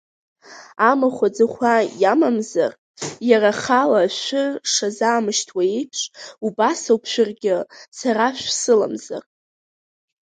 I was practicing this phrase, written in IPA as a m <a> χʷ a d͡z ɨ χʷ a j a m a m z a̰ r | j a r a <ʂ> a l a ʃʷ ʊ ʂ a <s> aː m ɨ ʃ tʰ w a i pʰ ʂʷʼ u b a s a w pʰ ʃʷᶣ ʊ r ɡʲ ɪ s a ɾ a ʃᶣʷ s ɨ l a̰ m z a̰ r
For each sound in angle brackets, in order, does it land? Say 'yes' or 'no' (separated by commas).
yes, no, no